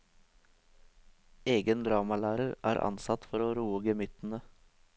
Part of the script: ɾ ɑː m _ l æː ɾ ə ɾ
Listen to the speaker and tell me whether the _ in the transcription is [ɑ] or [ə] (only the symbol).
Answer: ɑ